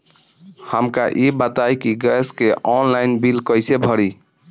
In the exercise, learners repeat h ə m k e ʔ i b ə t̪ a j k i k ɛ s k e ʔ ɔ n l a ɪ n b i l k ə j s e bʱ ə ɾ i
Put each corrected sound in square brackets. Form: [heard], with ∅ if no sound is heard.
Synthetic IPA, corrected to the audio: h ə m k [a] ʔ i b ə t̪ a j k i [ɡ] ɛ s k e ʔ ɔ n l a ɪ n b i l k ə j s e bʱ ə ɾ i